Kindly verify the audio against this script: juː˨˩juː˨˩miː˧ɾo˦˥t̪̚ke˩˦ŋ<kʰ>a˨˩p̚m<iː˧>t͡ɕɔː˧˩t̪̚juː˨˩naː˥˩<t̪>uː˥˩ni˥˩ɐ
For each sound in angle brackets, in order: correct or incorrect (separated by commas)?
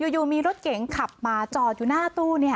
correct, incorrect, correct